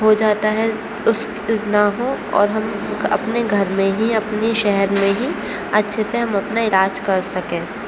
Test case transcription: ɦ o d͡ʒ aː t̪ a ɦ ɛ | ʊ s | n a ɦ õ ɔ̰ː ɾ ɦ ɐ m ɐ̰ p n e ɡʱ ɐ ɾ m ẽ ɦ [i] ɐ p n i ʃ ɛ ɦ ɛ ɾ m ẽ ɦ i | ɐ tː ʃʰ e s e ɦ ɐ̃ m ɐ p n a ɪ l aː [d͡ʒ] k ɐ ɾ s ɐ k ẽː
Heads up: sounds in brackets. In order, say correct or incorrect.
correct, correct

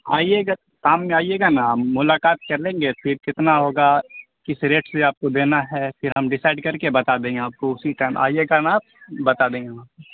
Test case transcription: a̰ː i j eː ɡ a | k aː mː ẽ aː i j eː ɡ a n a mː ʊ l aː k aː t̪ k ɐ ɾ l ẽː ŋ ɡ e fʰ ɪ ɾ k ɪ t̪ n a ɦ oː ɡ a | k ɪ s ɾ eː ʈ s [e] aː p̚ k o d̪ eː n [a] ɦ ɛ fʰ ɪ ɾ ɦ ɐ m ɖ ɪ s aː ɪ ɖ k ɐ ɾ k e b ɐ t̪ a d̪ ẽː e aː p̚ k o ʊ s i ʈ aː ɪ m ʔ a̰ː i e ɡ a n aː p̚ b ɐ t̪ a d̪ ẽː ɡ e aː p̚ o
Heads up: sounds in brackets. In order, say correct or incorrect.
correct, correct

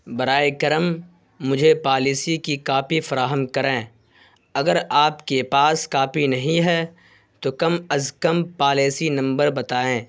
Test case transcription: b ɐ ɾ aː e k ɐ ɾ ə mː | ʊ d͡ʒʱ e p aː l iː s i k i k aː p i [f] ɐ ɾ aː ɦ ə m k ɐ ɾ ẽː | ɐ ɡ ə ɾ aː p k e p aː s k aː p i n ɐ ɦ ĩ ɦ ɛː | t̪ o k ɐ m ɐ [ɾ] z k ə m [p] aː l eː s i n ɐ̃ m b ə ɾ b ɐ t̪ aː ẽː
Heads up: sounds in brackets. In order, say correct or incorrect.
correct, incorrect, correct

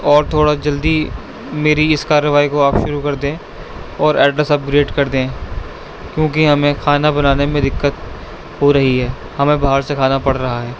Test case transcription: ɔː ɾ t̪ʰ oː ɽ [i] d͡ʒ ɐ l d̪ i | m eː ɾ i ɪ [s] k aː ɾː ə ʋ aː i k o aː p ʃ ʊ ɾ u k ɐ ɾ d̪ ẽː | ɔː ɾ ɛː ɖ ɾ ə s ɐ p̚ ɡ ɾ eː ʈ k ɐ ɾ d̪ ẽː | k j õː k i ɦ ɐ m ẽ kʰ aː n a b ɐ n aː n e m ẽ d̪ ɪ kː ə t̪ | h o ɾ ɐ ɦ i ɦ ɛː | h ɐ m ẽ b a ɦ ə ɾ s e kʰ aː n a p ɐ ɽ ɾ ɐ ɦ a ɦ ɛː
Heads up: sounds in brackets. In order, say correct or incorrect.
incorrect, correct

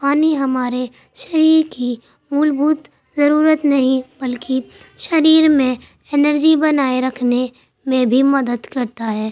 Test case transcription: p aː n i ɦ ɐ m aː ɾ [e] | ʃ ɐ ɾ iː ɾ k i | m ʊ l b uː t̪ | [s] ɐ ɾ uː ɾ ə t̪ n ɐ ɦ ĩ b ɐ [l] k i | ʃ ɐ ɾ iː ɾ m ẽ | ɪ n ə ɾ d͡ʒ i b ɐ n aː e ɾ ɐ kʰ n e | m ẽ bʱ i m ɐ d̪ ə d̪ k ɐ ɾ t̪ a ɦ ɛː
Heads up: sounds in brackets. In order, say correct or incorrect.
correct, incorrect, correct

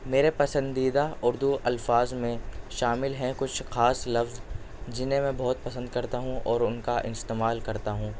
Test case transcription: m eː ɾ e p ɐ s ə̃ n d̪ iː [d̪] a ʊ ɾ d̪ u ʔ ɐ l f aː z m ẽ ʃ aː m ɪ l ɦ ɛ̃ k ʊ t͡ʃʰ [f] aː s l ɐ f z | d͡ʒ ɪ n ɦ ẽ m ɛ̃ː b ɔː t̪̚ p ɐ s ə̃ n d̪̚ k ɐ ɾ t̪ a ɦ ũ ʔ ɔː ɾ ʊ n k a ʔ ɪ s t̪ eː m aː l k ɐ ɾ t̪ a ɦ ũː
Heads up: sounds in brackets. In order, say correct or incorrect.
correct, incorrect

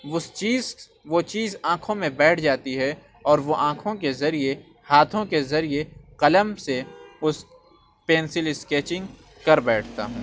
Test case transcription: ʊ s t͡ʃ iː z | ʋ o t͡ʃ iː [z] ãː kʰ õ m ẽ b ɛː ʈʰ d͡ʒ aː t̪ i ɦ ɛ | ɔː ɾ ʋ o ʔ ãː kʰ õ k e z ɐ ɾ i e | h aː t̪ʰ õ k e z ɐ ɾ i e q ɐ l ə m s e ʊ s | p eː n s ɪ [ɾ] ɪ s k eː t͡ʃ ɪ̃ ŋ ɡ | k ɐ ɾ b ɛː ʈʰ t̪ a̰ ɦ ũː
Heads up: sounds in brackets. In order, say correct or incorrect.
correct, incorrect

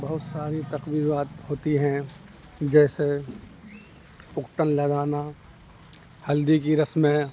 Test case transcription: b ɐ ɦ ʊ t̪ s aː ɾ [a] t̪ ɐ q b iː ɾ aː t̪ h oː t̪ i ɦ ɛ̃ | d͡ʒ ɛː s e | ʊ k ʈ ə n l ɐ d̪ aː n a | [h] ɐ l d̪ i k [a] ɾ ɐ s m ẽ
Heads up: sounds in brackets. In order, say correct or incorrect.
incorrect, correct, incorrect

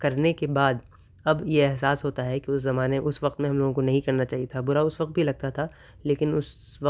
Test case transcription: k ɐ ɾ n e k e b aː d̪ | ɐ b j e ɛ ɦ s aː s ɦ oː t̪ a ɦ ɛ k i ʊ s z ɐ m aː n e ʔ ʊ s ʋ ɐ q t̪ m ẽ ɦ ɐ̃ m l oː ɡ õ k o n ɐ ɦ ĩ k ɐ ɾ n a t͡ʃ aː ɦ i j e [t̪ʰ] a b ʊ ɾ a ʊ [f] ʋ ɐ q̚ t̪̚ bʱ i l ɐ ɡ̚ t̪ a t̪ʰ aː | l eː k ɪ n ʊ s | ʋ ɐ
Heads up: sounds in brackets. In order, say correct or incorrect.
correct, incorrect

